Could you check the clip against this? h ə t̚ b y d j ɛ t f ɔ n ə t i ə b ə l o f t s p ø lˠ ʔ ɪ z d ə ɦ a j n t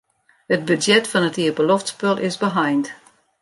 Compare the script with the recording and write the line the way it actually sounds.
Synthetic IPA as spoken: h ə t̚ b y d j ɛ t f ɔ n ə t i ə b ə l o f t s p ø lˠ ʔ ɪ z b ə ɦ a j n t